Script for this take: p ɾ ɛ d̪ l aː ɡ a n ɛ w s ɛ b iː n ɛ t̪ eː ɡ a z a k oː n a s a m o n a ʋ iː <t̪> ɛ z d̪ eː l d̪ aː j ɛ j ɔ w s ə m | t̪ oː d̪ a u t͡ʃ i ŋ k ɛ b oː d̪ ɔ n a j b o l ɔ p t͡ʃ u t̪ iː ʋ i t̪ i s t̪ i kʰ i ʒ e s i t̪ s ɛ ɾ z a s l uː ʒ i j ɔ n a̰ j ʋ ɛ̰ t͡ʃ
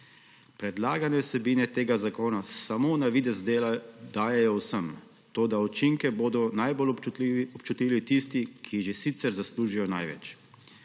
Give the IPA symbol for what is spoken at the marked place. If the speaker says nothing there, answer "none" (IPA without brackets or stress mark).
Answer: d̪